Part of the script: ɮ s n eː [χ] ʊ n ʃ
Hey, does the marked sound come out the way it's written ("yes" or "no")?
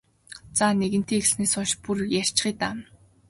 no